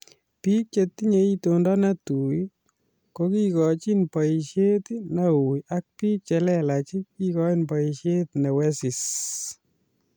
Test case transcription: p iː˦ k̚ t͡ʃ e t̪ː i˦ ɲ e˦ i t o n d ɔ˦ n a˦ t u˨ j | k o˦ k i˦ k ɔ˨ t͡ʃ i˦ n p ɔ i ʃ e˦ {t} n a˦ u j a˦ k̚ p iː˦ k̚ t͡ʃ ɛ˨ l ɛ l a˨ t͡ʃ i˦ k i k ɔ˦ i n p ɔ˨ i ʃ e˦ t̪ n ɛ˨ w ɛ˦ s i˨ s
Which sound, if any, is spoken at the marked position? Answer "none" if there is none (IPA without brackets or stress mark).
t